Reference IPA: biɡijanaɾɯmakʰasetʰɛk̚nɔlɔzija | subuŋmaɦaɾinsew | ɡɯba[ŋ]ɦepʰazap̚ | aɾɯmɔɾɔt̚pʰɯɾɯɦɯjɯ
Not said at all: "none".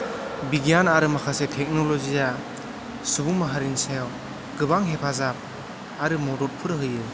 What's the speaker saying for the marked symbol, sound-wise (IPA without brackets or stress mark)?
ŋ